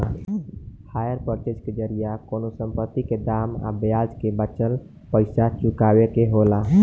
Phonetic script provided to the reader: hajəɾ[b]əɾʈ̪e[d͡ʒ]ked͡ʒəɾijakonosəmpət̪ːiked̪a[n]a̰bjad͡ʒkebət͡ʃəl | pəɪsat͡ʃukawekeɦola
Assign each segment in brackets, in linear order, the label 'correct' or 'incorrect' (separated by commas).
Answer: incorrect, correct, incorrect